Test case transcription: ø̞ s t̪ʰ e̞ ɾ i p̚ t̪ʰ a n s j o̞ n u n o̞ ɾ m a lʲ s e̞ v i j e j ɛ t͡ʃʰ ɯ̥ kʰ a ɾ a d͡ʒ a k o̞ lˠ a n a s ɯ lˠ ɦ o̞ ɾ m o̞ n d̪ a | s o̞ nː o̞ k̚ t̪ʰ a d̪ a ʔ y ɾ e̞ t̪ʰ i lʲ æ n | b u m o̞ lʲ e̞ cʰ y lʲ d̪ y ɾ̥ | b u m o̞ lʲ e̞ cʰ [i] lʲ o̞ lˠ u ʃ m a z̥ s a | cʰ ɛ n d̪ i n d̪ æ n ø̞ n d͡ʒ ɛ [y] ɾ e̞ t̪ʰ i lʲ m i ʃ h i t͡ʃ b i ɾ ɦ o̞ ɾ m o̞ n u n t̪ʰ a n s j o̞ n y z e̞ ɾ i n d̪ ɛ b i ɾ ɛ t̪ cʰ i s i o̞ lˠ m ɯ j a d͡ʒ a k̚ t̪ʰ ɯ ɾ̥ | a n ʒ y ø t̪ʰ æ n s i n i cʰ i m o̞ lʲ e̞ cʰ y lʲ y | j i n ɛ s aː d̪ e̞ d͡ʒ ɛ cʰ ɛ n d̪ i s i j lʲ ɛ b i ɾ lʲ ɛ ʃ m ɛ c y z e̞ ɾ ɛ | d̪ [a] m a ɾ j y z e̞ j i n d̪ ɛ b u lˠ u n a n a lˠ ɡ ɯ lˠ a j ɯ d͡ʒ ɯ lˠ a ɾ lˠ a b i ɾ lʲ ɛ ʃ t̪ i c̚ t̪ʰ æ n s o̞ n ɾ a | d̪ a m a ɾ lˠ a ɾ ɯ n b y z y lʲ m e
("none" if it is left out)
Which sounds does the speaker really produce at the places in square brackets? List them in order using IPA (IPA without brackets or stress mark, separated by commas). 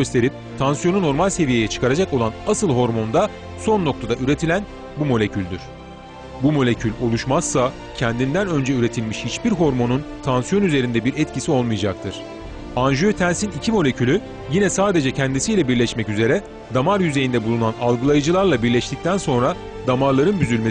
y, y, a